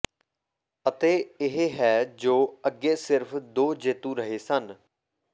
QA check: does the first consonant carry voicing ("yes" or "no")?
no